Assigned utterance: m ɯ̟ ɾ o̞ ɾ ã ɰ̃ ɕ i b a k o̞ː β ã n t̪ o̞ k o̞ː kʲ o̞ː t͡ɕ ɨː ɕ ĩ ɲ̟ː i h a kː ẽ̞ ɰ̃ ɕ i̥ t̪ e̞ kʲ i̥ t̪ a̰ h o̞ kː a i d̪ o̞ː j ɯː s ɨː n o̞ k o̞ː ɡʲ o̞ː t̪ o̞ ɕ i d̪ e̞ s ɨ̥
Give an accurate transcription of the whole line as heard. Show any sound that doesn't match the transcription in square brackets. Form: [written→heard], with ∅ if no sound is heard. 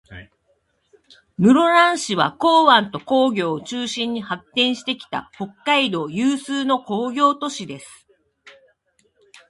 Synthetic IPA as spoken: m ɯ̟ ɾ o̞ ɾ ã ɰ̃ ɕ i [b→β] a k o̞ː β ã n t̪ o̞ k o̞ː [kʲ→ɡʲ] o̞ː t͡ɕ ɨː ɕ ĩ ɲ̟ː i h a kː ẽ̞ ɰ̃ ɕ i̥ t̪ e̞ kʲ i̥ t̪ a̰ h o̞ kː a i d̪ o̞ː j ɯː s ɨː n o̞ k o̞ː ɡʲ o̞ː t̪ o̞ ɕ i d̪ e̞ s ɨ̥